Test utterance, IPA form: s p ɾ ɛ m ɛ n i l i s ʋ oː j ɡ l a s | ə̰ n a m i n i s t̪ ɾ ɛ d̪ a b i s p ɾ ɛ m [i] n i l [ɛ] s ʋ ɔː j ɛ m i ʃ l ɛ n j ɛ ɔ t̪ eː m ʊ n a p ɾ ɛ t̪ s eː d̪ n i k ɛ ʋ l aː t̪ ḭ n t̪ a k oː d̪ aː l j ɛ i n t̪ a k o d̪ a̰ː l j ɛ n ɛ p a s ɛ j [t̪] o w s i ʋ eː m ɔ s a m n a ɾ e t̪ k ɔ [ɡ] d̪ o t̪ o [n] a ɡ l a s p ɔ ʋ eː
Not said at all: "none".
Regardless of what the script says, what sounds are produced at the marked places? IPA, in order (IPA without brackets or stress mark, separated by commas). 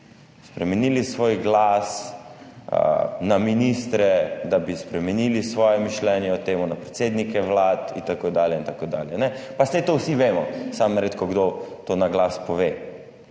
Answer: ɛ, i, t̪, ɡ, n